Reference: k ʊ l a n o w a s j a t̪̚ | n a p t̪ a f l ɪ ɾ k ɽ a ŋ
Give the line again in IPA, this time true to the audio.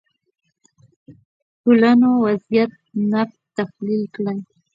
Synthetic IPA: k ʊ l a n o w a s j a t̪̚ | n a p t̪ a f l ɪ l k l a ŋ